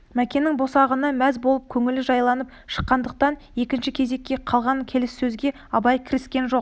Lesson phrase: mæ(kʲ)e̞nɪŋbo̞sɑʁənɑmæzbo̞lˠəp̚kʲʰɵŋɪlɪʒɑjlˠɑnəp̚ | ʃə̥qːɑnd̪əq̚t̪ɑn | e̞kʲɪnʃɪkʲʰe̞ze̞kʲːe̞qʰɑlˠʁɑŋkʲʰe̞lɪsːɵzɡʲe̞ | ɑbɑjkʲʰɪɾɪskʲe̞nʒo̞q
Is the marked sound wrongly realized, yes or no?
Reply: no